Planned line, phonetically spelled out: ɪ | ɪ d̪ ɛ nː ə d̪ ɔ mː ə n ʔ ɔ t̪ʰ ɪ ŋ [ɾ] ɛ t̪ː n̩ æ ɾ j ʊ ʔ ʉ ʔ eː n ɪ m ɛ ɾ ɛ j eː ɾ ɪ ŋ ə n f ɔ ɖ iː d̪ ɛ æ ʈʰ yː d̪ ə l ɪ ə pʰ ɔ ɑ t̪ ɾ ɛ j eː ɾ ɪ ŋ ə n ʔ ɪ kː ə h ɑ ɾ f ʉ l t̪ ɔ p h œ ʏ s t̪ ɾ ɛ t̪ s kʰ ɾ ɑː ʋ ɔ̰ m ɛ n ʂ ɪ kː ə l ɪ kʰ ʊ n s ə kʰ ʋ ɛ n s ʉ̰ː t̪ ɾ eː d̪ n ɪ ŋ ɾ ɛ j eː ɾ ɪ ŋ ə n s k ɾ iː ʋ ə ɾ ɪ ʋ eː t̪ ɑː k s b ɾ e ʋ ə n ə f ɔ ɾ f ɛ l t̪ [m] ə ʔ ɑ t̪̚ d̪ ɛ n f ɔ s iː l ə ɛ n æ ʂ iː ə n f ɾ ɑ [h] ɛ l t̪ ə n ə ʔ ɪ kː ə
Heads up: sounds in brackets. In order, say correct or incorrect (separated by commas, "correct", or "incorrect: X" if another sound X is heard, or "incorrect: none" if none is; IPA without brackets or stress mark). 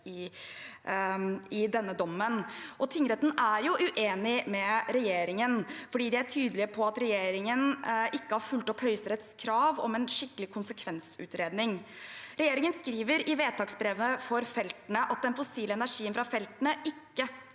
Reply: correct, incorrect: n, incorrect: f